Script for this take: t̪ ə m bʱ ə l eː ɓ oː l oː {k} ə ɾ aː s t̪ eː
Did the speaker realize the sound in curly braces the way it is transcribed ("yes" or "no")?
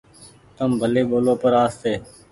no